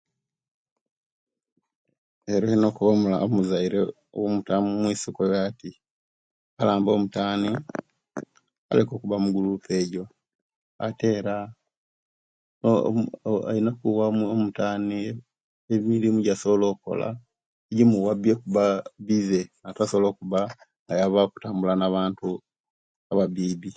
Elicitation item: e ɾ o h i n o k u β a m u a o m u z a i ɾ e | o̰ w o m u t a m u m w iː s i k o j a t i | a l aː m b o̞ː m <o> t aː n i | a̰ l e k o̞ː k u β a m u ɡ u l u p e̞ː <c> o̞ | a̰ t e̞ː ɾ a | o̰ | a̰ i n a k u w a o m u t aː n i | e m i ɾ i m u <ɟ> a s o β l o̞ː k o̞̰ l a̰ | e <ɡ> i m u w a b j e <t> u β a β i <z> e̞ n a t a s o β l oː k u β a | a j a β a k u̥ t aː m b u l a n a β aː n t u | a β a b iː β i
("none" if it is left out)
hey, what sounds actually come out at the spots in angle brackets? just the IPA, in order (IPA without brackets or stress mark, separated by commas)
u, ɟ, ɟ, ɟ, k, z